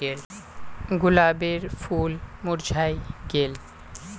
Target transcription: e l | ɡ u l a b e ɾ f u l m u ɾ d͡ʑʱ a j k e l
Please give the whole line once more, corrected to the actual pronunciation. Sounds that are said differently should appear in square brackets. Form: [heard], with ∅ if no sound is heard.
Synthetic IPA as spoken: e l | ɡ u l a b e ɾ f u l m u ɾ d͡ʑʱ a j [ɡ] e l